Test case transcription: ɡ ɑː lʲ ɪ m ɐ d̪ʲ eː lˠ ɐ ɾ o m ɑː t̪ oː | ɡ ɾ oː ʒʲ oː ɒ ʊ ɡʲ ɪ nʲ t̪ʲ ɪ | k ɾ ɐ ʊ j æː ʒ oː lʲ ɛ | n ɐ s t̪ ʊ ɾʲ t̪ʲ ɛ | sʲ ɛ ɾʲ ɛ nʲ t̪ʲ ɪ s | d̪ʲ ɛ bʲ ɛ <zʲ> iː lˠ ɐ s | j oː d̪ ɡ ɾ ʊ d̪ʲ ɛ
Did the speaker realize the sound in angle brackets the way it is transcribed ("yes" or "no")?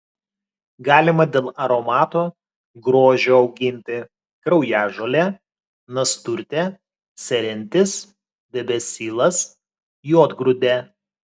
no